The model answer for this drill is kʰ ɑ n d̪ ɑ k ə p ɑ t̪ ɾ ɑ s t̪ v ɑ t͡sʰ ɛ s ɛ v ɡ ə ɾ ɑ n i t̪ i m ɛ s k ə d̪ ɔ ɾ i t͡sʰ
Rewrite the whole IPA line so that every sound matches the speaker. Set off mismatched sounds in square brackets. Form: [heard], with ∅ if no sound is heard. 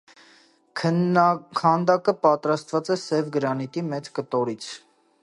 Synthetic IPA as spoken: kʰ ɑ n d̪ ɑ k ə p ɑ t̪ ɾ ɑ s t̪ v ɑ [t͡s] ɛ s ɛ v ɡ ə ɾ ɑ n i t̪ i m ɛ [t͡s] k ə [t̪] ɔ ɾ i t͡sʰ